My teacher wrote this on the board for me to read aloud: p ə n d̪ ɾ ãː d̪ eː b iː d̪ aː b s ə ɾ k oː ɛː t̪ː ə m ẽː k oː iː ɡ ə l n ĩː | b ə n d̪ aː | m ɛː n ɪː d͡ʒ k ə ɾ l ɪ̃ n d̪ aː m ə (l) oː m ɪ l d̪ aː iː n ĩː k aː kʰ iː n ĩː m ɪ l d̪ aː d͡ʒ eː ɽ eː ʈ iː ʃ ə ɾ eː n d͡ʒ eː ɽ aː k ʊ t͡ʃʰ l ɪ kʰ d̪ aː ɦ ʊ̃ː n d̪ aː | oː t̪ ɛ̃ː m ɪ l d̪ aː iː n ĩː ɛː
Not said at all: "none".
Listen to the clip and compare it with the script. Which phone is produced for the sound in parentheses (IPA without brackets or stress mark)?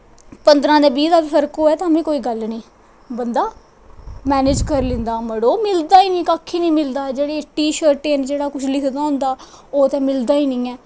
ɽ